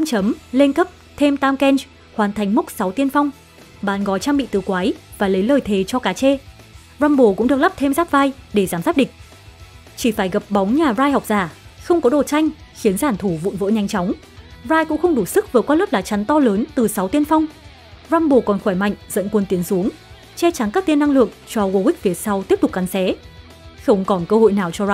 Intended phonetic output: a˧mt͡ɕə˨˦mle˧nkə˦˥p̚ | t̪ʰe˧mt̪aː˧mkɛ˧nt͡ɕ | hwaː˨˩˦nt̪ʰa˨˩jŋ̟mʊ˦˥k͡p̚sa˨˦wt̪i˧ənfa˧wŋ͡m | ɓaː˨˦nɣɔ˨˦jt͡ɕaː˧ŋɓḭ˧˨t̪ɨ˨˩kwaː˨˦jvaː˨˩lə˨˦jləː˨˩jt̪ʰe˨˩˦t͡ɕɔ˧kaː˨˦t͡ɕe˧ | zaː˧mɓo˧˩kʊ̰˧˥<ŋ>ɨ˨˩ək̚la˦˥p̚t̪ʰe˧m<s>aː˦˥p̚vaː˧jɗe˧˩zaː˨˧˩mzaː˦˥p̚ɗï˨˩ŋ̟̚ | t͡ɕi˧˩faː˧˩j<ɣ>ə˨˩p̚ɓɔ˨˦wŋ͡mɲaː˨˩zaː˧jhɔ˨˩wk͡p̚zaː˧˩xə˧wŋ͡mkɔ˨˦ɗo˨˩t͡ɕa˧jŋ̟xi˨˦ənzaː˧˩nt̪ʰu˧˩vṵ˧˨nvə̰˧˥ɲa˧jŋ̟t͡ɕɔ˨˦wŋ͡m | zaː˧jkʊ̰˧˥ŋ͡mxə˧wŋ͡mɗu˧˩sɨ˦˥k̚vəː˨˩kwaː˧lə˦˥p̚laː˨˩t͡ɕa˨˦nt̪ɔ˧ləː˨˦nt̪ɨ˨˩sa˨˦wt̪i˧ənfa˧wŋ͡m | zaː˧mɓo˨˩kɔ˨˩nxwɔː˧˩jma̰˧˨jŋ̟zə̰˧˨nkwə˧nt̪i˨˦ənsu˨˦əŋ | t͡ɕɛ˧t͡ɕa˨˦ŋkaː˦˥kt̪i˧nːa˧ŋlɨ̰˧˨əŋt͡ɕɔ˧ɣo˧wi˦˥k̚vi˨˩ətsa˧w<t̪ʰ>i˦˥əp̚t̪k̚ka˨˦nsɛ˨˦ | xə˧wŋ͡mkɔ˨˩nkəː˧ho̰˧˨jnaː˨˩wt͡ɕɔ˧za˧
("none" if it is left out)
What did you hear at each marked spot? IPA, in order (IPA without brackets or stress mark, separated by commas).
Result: ŋ͡m, z, ɣ, t̪